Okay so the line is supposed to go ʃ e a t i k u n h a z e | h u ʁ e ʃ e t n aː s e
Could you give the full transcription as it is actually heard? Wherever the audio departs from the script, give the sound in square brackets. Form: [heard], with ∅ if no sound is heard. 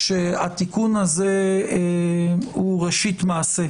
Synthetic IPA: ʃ e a t i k u n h a z e | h u ʁ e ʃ [i] t [m] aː s e